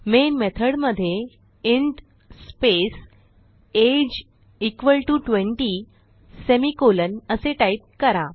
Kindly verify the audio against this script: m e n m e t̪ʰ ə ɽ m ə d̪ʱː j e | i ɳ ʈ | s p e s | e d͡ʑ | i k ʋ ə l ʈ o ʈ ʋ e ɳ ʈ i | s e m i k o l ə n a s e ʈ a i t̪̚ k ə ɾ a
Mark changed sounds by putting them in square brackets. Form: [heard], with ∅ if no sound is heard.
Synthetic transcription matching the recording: m e n m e t̪ʰ ə ɽ m ə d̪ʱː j e | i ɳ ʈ | s p e s | e d͡ʑ | i k ʋ ə l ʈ [u] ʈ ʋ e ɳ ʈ i | s e m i k o l ə n [ə] s e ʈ a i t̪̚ k ə ɾ a